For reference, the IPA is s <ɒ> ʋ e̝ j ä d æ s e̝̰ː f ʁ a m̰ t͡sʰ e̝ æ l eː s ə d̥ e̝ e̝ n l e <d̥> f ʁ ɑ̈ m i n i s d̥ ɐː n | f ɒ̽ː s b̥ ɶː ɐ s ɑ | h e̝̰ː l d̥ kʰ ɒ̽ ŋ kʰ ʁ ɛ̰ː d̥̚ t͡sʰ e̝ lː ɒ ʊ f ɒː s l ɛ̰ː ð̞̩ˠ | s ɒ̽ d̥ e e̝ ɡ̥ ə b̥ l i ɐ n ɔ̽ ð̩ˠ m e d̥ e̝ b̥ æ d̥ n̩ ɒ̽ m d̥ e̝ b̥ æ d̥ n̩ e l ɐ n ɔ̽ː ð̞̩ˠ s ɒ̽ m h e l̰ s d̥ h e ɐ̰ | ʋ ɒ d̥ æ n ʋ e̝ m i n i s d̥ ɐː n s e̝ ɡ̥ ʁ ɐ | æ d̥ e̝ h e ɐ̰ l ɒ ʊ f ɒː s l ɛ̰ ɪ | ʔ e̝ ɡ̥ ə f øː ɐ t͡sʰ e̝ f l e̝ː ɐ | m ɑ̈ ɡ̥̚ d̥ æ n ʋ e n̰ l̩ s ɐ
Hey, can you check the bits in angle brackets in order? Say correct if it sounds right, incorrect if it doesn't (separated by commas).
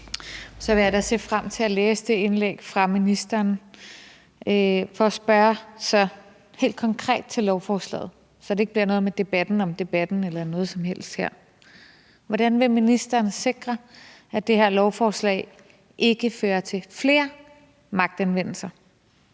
correct, incorrect